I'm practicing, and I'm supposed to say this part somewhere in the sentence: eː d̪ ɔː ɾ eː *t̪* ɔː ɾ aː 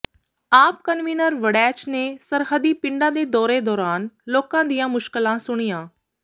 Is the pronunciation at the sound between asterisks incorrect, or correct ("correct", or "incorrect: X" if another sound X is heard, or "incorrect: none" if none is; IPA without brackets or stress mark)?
incorrect: d̪